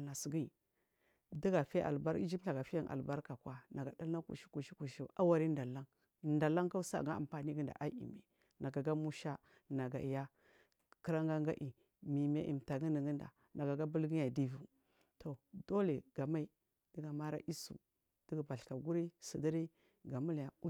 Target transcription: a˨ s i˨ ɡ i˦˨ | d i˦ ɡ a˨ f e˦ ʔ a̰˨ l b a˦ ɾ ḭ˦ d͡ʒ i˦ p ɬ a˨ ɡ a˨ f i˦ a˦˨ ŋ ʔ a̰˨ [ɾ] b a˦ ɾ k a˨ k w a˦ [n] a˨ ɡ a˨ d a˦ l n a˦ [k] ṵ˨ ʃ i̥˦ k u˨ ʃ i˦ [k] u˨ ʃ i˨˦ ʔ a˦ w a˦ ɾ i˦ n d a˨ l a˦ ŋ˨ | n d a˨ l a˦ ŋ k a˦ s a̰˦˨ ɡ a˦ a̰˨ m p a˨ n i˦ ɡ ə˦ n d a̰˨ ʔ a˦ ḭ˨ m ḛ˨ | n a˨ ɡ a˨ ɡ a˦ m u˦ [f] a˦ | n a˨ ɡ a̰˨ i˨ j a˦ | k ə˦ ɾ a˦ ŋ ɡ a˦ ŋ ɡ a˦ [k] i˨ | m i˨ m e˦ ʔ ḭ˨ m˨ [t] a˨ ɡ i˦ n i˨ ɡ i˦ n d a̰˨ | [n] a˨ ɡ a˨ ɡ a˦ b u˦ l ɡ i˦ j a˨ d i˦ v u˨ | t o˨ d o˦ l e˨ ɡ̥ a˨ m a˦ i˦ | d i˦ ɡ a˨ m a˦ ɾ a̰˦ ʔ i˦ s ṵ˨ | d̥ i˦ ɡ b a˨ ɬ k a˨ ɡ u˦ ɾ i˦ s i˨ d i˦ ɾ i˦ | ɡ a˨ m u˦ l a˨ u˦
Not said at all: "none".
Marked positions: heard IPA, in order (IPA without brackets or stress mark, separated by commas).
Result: l, n, k, k, ʃ, ʔ, t, n